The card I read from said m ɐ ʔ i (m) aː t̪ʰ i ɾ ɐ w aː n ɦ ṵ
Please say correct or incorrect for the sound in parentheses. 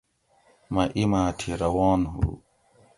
correct